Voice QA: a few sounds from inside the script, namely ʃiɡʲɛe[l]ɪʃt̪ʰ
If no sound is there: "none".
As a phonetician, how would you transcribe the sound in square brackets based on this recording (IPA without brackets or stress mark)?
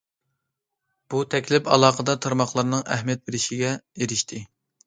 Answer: ɾ